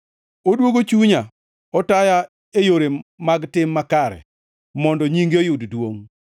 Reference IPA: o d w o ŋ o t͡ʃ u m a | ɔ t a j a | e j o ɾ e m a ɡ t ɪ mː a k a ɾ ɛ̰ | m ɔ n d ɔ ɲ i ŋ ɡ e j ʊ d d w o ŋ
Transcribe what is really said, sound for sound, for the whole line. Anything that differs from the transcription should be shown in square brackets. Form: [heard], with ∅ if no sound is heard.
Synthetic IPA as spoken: o d w o [ɡ] o t͡ʃ u [ɲ] a | ɔ t a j a | e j o ɾ e m a ɡ t ɪ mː a k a ɾ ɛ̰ | m ɔ n d ɔ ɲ i ŋ ɡ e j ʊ d d w o ŋ

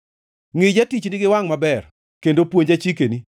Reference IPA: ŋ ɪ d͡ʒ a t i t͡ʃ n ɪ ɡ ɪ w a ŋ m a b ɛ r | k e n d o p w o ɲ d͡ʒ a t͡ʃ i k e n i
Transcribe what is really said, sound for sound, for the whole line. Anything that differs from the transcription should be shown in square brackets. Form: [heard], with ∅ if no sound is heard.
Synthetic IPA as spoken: ŋ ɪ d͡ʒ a t i t͡ʃ n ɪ ɡ ɪ w a ŋ m a b ɛ r | k e n d o p w o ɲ d͡ʒ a t͡ʃ i k e n i

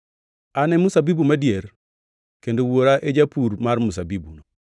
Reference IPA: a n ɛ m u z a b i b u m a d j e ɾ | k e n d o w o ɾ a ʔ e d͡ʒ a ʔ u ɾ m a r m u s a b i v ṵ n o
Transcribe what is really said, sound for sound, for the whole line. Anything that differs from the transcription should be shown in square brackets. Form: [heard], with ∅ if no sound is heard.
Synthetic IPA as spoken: a n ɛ m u [s] a b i b u m a d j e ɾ | k e n d o w o ɾ a ʔ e d͡ʒ a [p] u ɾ m a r m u s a b i [b] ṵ n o

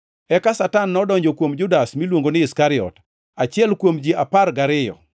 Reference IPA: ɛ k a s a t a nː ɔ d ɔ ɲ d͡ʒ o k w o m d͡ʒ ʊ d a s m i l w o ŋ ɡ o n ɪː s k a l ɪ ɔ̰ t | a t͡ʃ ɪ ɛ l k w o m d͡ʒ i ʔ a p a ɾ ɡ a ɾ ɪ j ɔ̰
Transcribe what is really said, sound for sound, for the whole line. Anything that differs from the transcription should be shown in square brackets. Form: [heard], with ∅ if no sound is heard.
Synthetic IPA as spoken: ɛ k a s a t a nː ɔ d ɔ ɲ d͡ʒ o k w o m d͡ʒ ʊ d a s m i l w o ŋ ɡ o n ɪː s k a [ɾ] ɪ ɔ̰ t | a t͡ʃ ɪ ɛ l k w o m d͡ʒ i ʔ a p a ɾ ɡ a ɾ ɪ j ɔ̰

